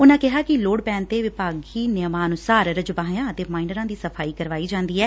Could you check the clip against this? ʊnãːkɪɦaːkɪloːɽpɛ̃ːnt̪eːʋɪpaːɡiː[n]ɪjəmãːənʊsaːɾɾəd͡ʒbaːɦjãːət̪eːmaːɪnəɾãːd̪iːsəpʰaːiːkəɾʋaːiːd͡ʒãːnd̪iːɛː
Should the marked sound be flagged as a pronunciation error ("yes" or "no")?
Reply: no